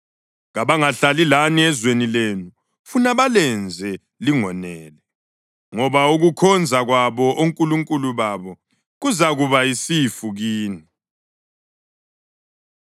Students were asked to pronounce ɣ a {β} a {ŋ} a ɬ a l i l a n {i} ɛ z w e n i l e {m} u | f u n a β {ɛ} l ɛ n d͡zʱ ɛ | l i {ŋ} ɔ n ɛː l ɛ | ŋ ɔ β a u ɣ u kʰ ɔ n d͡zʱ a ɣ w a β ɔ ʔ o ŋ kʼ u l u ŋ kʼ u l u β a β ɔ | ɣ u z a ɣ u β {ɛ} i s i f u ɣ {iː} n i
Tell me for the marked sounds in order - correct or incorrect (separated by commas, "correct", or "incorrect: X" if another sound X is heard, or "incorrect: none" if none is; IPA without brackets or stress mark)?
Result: correct, correct, correct, incorrect: n, incorrect: a, correct, incorrect: a, correct